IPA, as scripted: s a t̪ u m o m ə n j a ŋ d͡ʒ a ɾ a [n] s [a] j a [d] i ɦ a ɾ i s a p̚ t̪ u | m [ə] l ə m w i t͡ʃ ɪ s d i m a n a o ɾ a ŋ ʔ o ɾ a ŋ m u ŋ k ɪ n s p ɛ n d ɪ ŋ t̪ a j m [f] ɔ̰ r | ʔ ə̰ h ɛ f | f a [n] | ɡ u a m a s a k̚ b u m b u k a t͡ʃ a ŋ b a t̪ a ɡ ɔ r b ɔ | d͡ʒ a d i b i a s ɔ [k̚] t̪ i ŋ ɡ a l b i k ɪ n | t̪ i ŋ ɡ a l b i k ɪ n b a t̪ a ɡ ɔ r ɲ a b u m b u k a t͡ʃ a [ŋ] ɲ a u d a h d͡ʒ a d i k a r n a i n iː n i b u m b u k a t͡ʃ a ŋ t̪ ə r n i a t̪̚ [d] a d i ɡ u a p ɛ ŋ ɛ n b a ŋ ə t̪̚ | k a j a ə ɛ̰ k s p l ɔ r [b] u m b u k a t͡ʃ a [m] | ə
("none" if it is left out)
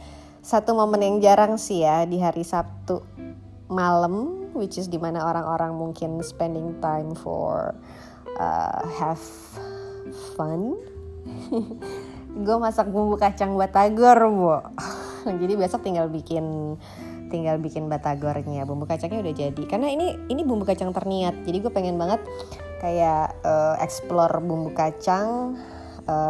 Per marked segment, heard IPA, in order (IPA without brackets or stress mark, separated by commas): ŋ, i, d, a, f, n, k̚, ŋ, d͡ʒ, b, ŋ